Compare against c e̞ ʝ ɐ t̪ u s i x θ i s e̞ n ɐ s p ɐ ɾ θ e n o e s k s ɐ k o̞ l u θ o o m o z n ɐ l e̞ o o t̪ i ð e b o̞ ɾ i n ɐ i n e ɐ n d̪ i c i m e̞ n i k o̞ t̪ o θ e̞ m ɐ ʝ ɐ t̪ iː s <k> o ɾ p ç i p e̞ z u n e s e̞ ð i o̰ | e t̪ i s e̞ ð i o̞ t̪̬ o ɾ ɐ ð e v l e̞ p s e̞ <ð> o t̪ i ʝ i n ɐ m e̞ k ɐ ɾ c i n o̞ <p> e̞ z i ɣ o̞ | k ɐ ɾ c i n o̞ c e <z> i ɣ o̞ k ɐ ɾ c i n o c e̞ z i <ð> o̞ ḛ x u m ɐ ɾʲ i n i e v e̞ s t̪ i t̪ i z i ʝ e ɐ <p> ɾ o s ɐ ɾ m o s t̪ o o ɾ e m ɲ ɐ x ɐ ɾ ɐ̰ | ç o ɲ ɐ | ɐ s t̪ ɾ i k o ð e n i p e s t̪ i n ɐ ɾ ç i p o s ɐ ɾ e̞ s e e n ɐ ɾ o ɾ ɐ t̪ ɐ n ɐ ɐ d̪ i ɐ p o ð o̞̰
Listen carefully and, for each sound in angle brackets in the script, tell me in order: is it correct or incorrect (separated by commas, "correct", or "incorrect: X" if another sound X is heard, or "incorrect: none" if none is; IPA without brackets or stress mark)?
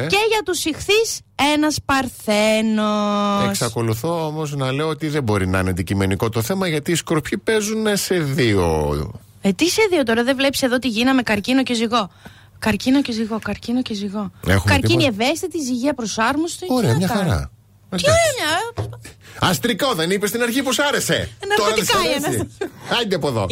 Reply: correct, correct, incorrect: c, correct, incorrect: ɣ, correct